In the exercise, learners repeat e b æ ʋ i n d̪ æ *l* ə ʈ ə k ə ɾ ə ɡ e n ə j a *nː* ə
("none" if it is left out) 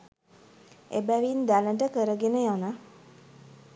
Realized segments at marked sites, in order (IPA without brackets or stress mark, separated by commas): l, n